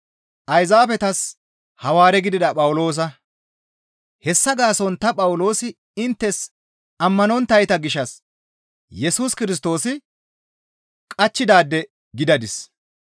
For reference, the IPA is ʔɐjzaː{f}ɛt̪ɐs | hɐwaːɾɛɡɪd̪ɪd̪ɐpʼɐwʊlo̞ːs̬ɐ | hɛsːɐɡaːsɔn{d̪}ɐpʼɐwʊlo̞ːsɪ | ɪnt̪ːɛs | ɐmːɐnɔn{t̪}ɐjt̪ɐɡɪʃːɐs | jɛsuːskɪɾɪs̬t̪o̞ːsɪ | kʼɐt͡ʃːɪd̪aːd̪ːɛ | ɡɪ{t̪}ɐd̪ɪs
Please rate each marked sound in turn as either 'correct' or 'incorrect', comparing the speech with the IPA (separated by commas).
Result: correct, incorrect, correct, incorrect